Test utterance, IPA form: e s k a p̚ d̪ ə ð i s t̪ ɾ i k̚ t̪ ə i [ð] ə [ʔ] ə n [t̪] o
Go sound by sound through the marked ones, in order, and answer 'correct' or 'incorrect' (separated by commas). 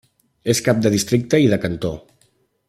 correct, incorrect, correct